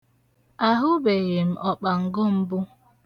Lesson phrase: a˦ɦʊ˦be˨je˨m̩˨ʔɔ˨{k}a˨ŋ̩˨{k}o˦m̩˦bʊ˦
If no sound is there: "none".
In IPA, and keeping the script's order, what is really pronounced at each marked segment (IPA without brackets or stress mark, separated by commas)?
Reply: k͡p, ɡ